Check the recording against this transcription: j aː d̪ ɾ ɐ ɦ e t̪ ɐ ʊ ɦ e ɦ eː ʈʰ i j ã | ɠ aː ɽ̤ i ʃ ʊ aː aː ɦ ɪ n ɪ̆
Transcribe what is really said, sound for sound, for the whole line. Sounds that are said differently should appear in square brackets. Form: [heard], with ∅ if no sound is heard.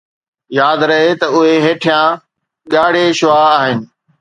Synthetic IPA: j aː d̪ ɾ ɐ ɦ e t̪ ɐ ʊ ɦ e ɦ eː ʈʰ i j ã | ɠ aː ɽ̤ [e] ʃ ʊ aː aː ɦ ɪ n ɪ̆